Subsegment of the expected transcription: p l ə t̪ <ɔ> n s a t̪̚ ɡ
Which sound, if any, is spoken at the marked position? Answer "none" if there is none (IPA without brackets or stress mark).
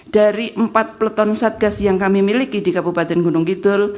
ɔ